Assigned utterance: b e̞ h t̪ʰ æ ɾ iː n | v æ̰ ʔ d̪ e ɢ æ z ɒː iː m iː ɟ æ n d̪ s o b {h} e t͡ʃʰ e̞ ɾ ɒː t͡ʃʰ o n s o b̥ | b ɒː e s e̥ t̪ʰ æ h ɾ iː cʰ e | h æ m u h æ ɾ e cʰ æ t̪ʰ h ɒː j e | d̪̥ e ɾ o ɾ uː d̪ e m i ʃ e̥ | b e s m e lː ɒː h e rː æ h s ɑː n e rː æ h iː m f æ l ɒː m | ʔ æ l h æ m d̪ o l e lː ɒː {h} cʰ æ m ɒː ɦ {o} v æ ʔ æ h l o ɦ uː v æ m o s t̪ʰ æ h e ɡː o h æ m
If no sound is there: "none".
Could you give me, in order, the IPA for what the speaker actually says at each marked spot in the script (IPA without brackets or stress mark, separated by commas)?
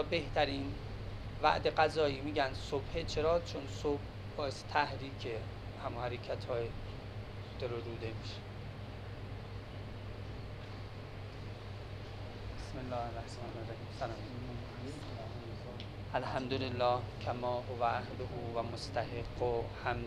h, h, o